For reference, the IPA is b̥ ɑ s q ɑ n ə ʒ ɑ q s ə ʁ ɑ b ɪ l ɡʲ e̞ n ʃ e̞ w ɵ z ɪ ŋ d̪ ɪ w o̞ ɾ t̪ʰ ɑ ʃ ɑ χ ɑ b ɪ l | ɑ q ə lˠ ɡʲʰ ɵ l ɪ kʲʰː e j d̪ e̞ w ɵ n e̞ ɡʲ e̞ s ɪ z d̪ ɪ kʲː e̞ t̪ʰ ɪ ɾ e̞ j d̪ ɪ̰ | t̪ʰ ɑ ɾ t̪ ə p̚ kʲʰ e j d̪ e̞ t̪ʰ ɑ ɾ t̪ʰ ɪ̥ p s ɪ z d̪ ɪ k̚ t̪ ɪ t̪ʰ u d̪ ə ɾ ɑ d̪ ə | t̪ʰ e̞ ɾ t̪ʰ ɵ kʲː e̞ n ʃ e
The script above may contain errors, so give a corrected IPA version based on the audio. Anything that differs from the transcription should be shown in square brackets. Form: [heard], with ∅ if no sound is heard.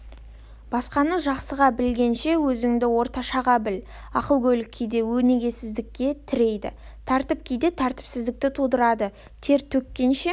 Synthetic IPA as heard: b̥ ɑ s q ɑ n ə ʒ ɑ q s ə ʁ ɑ b ɪ l ɡʲ e̞ n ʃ e̞ w ɵ z ɪ ŋ d̪ ɪ w o̞ ɾ [t̪] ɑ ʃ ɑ [ʁ] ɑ b ɪ l | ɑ q ə lˠ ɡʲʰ ɵ l ɪ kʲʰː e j d̪ e̞ w ɵ n e̞ ɡʲ e̞ s ɪ z d̪ ɪ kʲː e̞ t̪ʰ ɪ ɾ e̞ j d̪ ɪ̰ | t̪ʰ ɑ ɾ t̪ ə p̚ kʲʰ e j d̪ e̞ t̪ʰ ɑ ɾ [t̪] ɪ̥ p s ɪ z d̪ ɪ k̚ t̪ ɪ t̪ʰ u d̪ ə ɾ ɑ d̪ ə | t̪ʰ e̞ ɾ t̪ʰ ɵ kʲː e̞ n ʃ e

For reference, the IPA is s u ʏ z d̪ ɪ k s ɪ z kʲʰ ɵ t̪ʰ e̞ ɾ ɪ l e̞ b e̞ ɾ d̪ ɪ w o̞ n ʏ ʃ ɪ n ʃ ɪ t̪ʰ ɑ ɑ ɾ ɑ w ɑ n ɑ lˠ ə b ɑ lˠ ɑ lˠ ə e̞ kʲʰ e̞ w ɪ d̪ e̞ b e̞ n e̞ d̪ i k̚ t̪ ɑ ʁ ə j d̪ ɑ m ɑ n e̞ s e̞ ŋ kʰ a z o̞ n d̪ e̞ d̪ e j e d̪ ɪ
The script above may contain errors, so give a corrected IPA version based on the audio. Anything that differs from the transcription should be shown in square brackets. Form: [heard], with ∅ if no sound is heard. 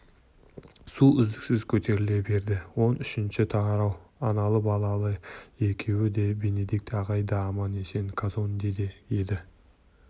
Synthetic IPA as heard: s u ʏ z d̪ ɪ k s ɪ z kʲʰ ɵ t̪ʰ e̞ ɾ ɪ l e̞ b e̞ ɾ d̪ ɪ w o̞ n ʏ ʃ ɪ n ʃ ɪ t̪ʰ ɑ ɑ ɾ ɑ w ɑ n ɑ lˠ ə b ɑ lˠ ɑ lˠ ə e̞ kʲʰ e̞ w ɪ d̪ e̞ b e̞ n e̞ d̪ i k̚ t̪ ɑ ʁ [ɑ] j d̪ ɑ m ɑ n e̞ s e̞ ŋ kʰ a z o̞ n d̪ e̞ d̪ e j e d̪ ɪ

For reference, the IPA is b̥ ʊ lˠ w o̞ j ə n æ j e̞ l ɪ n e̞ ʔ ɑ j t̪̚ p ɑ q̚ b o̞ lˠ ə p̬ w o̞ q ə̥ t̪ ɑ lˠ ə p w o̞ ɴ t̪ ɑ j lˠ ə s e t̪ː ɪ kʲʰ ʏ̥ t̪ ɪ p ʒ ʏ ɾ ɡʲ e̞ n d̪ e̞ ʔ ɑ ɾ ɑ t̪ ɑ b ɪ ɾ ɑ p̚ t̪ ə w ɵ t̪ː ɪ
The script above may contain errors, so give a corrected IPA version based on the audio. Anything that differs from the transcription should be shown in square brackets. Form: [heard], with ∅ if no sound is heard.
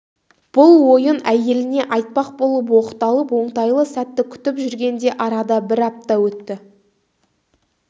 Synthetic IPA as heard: b̥ ʊ lˠ w o̞ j ə n æ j e̞ l ɪ n e̞ ʔ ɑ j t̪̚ p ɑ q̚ b o̞ lˠ ə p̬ w o̞ q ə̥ t̪ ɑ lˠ ə p w o̞ ɴ t̪ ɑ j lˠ ə s [æ] t̪ː ɪ kʲʰ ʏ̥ t̪ ɪ p ʒ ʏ ɾ ɡʲ e̞ n d̪ e̞ ʔ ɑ ɾ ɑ [d̪] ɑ b ɪ ɾ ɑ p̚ t̪ [ɑ] w ɵ t̪ː ɪ

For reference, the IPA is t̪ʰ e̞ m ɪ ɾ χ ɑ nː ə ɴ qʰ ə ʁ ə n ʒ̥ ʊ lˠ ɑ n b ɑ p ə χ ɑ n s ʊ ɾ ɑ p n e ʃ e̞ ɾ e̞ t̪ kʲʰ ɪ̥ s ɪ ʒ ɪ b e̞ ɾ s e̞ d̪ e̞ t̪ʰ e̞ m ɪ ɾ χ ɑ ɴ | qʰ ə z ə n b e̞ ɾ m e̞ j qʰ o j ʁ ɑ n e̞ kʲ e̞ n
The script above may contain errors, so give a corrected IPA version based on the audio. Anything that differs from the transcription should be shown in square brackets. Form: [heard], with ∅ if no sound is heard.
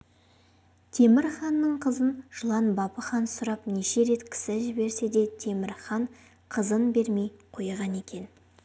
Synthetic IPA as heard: t̪ʰ e̞ m ɪ ɾ χ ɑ nː ə ɴ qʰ ə [z] ə n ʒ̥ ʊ lˠ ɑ n b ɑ p ə χ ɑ n s ʊ ɾ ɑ p n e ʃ e̞ ɾ e̞ t̪ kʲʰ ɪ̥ s ɪ ʒ ɪ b e̞ ɾ s e̞ d̪ e̞ t̪ʰ e̞ m ɪ ɾ χ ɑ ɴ | qʰ ə z ə n b e̞ ɾ m e̞ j qʰ o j ʁ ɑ n e̞ kʲ e̞ n

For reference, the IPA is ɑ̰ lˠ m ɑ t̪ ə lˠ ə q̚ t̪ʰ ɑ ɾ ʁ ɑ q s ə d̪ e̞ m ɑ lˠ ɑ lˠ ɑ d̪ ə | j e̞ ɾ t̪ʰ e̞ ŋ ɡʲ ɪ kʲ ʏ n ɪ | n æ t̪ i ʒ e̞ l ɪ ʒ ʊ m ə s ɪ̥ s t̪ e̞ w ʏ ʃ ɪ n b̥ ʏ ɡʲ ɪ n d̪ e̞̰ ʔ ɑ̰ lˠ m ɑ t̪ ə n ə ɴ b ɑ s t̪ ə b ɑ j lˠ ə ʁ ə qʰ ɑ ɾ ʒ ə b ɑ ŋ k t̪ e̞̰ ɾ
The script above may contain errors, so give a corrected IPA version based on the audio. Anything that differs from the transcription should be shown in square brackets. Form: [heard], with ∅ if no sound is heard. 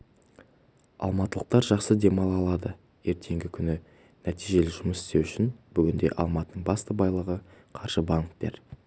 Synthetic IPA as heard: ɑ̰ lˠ m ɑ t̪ ə lˠ ə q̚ [t̪] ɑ ɾ [ʒ] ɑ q s ə d̪ e̞ m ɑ lˠ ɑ lˠ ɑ d̪ ə | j e̞ ɾ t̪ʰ e̞ ŋ ɡʲ ɪ [kʲʰ] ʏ n ɪ | n æ t̪ i ʒ e̞ l ɪ ʒ ʊ m ə s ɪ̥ s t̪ e̞ w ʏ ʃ ɪ n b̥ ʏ ɡʲ ɪ n d̪ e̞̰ ʔ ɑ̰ lˠ m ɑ t̪ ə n ə ɴ b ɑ s t̪ ə b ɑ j lˠ ə ʁ ə qʰ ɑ ɾ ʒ ə b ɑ ŋ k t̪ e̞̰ ɾ

